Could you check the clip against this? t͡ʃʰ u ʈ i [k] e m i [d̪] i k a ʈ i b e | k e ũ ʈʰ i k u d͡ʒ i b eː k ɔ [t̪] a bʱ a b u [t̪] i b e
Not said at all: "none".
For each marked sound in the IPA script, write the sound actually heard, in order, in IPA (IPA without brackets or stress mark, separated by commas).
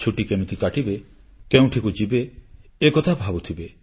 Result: k, t̪, t̪ʰ, t̪ʰ